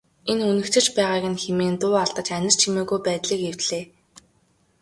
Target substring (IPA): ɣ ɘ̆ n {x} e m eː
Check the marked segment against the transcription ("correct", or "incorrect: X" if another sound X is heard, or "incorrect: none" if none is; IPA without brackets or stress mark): correct